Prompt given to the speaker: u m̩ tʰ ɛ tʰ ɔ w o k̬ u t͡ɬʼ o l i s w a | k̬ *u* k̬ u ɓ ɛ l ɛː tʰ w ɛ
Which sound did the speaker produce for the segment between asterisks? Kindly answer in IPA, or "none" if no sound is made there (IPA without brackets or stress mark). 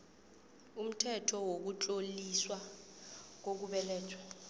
o